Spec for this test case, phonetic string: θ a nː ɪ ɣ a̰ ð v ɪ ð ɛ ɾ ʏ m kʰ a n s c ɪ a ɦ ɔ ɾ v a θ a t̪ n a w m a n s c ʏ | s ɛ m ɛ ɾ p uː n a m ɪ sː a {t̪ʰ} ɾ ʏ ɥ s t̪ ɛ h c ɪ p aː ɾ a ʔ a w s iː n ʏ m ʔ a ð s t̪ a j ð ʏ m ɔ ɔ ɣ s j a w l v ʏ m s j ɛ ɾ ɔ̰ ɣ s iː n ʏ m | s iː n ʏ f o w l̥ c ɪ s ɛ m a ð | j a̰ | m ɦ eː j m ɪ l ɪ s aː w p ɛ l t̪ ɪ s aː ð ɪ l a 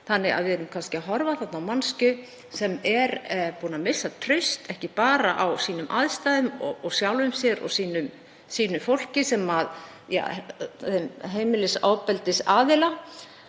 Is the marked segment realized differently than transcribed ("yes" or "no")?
no